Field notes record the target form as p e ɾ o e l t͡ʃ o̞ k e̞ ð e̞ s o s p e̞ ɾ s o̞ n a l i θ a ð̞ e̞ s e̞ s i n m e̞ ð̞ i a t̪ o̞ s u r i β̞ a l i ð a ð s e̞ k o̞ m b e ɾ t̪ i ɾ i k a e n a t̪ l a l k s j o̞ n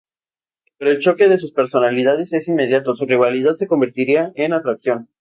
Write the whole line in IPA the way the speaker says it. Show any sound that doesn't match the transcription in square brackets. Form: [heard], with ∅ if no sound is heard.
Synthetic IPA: p e ɾ o e l t͡ʃ o̞ k e̞ ð e̞ s [u] s p e̞ ɾ s o̞ n a l i [ð] a ð̞ e̞ s e̞ s i n m e̞ ð̞ [j] a t̪ o̞ s u r i β̞ a l i ð a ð s e̞ k o̞ m b e ɾ t̪ i ɾ i [∅] a e n a t̪ [ɾ] a [∅] k s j o̞ n